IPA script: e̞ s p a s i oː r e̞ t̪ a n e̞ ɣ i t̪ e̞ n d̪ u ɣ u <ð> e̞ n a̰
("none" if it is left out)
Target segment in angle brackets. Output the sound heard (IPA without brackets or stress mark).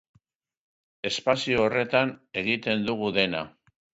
ð